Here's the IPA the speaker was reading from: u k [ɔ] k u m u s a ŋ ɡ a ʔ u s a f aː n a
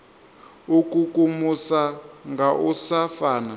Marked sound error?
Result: yes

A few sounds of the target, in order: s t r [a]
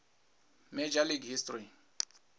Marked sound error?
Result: yes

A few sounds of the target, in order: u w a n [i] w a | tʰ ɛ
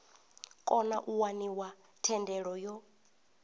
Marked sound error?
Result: no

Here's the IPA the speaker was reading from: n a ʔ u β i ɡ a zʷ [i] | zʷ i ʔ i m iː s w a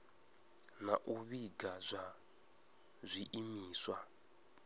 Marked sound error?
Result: yes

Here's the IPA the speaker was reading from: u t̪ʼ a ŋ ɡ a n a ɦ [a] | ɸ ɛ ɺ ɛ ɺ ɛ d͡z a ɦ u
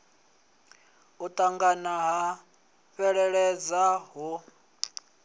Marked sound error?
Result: no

